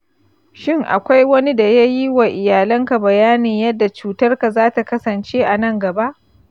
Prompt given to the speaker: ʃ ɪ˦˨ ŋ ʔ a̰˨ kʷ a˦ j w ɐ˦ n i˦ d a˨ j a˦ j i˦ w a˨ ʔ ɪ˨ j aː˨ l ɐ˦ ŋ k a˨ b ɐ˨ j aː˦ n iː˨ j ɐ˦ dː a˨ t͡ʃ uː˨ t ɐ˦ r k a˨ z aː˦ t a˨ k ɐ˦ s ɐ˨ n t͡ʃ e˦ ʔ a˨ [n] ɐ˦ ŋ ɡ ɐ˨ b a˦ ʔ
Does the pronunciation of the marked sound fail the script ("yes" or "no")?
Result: no